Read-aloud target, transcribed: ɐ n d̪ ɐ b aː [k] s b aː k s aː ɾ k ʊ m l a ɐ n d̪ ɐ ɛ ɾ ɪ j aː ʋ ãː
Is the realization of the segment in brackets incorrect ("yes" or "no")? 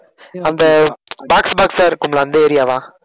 no